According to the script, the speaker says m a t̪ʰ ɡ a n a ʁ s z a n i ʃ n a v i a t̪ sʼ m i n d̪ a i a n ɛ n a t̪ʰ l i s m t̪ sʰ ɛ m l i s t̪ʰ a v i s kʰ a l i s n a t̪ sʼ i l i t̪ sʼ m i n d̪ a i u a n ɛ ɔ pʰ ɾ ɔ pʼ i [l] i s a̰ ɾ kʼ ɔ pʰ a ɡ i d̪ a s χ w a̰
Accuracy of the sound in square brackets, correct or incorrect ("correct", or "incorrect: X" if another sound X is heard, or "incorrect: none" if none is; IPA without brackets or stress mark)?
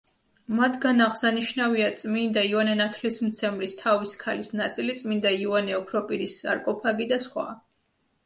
incorrect: ɾ